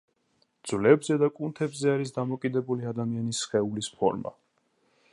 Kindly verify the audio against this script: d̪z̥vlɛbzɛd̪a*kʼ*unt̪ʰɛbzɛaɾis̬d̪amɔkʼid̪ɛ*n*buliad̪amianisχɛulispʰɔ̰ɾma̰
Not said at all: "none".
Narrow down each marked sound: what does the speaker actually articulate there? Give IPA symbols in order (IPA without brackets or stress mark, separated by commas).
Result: kʼ, none